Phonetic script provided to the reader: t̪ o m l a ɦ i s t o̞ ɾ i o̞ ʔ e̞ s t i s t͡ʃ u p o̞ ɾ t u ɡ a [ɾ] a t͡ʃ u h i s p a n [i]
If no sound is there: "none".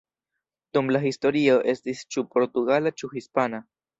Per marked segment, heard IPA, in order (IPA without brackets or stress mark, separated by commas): l, a